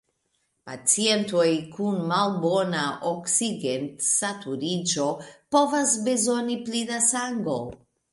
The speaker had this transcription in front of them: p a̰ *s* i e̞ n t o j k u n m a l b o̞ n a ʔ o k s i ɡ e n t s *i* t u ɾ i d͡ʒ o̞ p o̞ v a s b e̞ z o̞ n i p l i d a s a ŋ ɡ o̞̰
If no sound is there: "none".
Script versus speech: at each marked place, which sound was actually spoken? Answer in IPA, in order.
t͡s, a

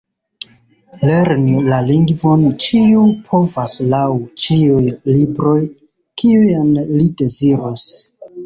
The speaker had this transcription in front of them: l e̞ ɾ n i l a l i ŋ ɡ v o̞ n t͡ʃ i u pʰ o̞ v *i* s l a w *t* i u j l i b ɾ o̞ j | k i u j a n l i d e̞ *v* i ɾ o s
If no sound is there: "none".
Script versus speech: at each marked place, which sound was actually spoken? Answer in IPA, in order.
a, t͡ʃ, z

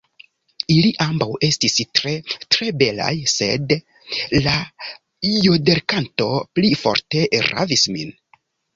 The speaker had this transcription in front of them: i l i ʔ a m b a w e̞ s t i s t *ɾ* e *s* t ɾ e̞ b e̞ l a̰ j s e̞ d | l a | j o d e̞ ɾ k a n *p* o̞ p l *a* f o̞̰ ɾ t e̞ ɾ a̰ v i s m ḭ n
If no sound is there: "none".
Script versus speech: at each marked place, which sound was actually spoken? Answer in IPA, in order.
ɾ, none, t, i

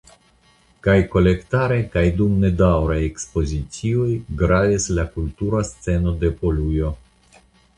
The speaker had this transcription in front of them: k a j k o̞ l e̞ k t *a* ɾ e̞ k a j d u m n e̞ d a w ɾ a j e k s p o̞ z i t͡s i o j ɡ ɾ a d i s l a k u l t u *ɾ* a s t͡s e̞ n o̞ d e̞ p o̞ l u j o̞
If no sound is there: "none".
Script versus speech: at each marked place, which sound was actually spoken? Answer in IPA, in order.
a, ɾ

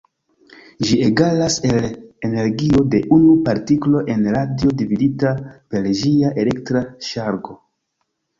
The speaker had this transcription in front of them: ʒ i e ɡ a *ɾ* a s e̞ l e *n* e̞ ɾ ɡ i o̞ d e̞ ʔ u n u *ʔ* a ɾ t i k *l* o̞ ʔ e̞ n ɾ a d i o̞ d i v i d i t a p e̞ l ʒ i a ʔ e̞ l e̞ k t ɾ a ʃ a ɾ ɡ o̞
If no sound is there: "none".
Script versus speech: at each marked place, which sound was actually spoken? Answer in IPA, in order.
l, n, p, l

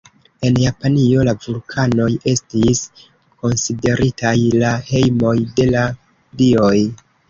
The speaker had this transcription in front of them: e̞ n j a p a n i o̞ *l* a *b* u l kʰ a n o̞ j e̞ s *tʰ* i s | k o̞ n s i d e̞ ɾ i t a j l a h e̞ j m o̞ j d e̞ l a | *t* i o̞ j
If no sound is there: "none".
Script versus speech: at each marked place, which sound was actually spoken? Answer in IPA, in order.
l, v, t, d

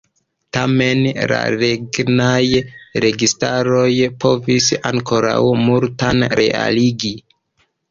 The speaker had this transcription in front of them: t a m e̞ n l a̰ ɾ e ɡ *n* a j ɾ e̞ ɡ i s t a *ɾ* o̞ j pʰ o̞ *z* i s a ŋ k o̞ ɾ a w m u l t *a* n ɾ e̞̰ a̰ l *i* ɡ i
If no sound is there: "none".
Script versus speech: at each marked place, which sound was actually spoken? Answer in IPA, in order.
n, ɾ, v, a, i

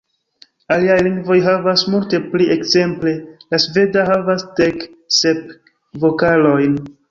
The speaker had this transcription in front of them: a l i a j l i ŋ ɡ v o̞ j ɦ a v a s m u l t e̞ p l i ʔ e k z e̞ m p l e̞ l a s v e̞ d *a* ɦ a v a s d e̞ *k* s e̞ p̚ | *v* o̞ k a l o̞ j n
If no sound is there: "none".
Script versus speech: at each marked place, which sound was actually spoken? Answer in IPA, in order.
a, k, v

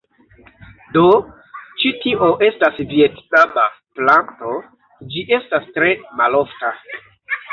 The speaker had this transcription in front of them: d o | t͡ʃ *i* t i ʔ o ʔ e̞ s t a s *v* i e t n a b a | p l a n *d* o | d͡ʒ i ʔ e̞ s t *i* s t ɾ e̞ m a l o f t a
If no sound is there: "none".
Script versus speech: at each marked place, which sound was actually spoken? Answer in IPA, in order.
i, v, t, a

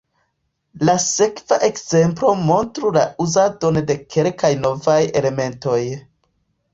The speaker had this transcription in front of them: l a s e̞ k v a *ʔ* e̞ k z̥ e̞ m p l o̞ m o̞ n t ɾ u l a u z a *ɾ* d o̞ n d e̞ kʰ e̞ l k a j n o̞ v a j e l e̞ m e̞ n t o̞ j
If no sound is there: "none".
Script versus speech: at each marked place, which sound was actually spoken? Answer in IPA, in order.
ʔ, none

